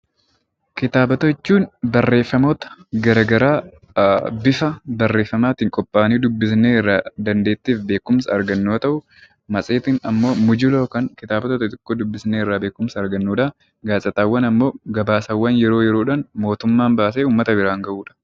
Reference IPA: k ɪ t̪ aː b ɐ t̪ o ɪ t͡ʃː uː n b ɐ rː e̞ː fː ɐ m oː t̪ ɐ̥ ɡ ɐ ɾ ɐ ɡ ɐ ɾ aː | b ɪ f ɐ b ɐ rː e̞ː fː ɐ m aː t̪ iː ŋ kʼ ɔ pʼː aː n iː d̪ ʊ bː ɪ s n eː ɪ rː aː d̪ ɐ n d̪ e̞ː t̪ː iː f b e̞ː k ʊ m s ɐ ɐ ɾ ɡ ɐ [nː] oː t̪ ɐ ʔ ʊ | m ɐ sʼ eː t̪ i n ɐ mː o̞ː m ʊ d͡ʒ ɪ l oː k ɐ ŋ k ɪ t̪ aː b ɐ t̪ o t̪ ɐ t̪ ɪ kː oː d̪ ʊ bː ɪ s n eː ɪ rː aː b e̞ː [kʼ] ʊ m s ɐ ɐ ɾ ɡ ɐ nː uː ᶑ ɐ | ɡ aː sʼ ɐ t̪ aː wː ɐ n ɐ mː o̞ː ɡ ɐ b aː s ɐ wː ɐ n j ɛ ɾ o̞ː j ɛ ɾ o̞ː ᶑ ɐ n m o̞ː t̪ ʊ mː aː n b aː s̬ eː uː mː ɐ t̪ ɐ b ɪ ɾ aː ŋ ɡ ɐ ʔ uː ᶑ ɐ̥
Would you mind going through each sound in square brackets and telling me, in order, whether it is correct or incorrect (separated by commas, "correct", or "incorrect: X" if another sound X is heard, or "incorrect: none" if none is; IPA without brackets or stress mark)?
correct, incorrect: k